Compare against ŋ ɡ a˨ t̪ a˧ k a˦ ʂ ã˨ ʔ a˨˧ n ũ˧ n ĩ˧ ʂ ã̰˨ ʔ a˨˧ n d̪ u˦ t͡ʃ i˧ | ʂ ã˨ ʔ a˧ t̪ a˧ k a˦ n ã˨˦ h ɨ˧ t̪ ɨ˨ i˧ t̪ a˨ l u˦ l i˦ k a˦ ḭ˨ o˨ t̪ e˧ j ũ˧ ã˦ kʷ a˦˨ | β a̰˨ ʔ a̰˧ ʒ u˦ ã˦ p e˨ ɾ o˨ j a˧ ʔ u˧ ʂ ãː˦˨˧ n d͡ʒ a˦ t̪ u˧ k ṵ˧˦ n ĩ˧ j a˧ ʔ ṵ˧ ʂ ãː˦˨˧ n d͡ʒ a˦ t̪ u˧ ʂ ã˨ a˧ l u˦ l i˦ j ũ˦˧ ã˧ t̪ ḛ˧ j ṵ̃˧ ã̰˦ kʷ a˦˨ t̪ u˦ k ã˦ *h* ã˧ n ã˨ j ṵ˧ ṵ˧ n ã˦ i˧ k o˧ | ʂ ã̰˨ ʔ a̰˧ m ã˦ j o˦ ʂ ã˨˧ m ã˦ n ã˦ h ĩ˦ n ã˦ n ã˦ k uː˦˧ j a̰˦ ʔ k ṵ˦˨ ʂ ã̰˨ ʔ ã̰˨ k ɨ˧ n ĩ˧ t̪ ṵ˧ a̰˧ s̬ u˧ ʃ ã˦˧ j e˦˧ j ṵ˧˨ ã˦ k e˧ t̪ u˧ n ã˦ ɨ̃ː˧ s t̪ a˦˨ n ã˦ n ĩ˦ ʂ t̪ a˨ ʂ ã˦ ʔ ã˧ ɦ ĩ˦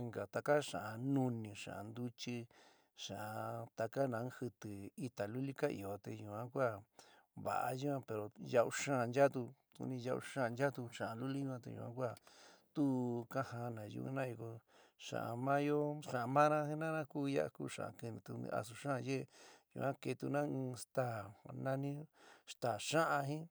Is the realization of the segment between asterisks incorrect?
no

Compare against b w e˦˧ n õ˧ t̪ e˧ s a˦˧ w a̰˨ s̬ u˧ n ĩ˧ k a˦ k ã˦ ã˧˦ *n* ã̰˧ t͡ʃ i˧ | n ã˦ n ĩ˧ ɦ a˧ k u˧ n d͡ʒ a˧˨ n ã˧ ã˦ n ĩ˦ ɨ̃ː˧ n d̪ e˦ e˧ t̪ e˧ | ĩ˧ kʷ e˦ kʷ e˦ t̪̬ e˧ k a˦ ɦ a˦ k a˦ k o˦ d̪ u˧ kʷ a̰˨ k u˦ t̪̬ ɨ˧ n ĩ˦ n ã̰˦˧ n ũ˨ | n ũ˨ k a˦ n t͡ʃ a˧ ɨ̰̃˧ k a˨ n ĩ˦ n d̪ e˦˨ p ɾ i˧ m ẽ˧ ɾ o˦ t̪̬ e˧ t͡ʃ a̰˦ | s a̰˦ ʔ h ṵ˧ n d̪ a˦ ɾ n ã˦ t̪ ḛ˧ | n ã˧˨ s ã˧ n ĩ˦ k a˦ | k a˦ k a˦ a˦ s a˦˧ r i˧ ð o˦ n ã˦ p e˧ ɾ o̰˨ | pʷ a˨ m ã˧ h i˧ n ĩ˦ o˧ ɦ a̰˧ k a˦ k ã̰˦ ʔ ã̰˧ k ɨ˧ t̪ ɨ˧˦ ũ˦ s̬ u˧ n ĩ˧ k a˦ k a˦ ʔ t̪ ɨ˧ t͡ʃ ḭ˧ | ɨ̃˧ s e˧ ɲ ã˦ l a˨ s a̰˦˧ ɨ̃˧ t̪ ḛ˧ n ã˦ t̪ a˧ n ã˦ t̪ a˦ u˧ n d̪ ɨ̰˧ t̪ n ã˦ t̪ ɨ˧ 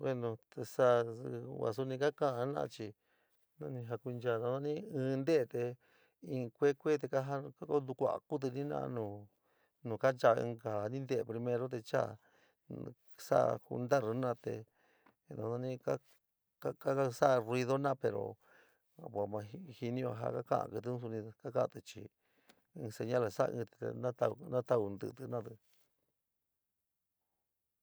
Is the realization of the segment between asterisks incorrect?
no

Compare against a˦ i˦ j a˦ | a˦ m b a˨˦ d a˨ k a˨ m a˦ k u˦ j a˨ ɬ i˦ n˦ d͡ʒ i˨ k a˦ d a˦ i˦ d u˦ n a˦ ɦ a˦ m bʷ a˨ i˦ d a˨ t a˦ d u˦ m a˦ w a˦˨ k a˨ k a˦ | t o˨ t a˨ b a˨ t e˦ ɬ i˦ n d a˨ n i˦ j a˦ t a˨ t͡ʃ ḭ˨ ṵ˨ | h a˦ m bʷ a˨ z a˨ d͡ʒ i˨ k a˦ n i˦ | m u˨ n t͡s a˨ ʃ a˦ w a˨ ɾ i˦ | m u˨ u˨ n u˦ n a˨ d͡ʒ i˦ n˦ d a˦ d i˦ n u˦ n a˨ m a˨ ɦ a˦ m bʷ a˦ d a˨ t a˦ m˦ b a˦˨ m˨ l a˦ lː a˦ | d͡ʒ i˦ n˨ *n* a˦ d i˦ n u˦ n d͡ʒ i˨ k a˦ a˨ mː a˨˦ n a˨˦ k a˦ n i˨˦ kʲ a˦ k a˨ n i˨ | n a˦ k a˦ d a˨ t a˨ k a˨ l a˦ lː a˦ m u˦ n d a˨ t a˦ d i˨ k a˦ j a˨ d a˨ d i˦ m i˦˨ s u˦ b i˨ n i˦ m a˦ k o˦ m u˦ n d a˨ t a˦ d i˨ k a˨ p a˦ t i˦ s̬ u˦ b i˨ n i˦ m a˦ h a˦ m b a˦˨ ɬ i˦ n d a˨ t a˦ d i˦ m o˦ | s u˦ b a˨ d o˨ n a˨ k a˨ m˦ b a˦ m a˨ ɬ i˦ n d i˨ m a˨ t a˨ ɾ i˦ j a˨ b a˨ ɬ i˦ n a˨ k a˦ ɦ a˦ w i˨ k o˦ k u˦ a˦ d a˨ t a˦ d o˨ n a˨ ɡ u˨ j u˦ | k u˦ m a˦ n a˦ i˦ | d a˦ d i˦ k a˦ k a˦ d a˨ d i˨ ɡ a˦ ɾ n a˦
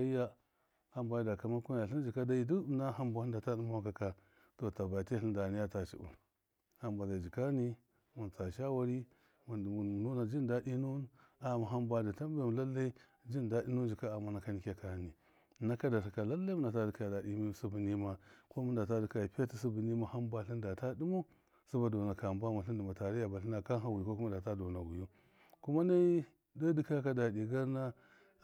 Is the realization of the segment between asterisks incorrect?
yes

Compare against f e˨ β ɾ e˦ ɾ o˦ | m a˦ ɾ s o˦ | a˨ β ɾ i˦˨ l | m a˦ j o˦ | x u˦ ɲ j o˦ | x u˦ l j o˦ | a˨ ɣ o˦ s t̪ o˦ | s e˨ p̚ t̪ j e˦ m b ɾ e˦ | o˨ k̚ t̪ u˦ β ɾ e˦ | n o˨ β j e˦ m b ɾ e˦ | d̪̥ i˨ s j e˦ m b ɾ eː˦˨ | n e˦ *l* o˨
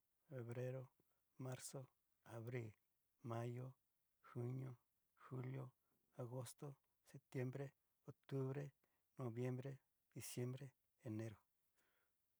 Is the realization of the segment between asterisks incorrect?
yes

